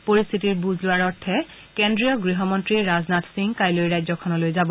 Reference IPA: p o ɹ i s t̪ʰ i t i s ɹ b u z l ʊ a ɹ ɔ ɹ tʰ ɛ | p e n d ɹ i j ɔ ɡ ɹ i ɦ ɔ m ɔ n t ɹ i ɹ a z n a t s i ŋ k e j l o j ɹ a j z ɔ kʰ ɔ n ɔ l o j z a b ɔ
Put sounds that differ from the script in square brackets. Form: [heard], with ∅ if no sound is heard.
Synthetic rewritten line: p o ɹ i s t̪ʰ i t i [∅] ɹ b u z l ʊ a ɹ ɔ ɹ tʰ ɛ | [k] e n d ɹ i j ɔ ɡ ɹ i ɦ ɔ m ɔ n t ɹ i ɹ a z n a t s i ŋ k [a] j l o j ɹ a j z ɔ kʰ ɔ n ɔ l o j z a b ɔ